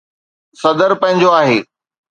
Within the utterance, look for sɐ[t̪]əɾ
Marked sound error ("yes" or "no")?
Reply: yes